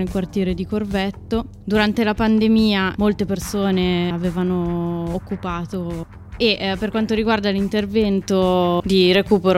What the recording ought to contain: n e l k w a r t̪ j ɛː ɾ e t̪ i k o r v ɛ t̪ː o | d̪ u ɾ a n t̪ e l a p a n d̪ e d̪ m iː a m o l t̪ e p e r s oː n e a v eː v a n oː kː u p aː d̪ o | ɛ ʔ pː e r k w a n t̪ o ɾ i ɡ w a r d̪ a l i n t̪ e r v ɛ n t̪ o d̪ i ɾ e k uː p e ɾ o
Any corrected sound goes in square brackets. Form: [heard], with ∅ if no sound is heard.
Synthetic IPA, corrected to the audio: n e l k w a r t̪ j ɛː ɾ e [d̪] i k o r v ɛ t̪ː o | d̪ u ɾ a n t̪ e l a p a n d̪ e [∅] m iː a m o l t̪ e p e r s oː n e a v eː v a n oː kː u p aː [t̪] o | [e] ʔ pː e r k w a n t̪ o ɾ i ɡ w a r d̪ a l i n t̪ e r v ɛ n t̪ o d̪ i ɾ e k uː p e ɾ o